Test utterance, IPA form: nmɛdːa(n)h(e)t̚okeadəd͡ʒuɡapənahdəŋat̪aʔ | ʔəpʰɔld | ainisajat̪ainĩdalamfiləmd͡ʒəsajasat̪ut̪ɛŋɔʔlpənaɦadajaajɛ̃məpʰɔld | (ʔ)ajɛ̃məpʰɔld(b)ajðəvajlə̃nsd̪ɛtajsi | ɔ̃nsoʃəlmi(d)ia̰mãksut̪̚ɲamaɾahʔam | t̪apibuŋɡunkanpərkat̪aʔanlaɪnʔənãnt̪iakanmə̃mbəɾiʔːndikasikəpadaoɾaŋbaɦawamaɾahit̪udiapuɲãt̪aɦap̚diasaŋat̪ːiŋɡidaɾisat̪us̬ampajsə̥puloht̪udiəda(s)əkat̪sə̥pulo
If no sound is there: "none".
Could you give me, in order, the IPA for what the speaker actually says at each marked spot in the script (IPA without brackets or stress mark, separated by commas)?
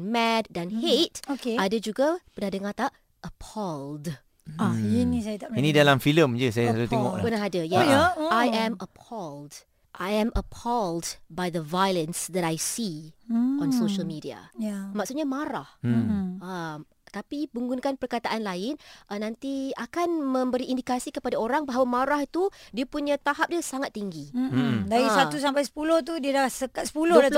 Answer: n, e, ʔ, b, d, s